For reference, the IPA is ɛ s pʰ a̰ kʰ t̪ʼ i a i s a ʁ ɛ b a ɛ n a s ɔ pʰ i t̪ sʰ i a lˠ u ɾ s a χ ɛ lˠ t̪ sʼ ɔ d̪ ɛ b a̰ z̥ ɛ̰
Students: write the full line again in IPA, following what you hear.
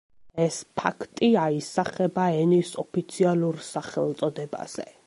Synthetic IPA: ɛ s pʰ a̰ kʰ t̪ʼ i a i s a χ ɛ b a ɛ n i s ɔ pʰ i t̪ sʰ i a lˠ u ɾ s a χ ɛ lˠ t̪ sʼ ɔ d̪ ɛ b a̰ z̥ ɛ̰